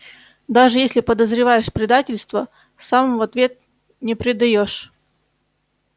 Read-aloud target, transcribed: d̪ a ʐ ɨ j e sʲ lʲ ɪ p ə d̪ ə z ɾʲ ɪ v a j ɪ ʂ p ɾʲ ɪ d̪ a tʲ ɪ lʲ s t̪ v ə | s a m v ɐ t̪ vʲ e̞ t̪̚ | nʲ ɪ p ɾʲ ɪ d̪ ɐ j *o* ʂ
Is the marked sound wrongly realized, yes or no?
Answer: no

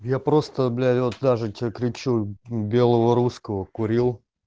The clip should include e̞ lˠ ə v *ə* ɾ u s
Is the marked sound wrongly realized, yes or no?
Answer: no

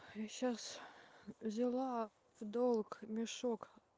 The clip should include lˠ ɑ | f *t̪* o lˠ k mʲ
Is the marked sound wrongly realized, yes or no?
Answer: yes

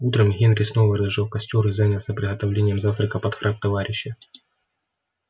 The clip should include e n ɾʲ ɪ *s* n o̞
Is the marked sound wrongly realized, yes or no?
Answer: no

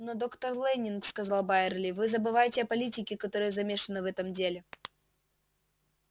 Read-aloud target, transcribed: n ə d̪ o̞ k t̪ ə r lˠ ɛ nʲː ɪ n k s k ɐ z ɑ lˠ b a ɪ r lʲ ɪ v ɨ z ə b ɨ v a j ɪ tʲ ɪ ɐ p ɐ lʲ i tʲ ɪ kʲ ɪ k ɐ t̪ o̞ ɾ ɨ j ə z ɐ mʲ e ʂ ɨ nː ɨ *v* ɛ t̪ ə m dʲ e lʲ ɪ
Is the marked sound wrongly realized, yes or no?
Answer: no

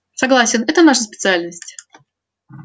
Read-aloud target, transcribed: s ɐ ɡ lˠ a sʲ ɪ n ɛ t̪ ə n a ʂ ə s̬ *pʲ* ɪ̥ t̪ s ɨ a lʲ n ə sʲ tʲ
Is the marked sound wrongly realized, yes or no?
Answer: no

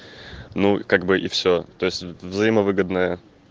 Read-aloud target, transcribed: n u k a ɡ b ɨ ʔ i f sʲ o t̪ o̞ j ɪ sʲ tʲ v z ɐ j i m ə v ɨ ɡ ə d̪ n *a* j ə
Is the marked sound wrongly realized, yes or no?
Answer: yes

